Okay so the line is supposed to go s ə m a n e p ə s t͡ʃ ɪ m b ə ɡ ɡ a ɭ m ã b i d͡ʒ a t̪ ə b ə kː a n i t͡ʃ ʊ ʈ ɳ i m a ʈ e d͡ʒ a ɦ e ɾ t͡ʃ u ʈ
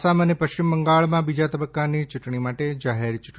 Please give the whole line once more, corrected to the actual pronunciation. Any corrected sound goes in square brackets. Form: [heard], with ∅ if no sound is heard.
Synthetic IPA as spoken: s [a] m [ə] n e p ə [ʃ] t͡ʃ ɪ m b ə [ŋ] ɡ a ɭ m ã b i d͡ʒ a t̪ ə b ə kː a n i t͡ʃ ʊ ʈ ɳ i m a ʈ e d͡ʒ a ɦ e ɾ t͡ʃ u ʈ